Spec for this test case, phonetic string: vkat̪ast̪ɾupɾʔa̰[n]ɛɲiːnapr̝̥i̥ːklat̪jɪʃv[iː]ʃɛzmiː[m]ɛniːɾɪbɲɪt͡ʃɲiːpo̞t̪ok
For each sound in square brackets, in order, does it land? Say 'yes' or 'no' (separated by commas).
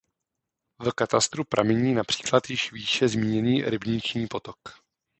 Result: no, yes, no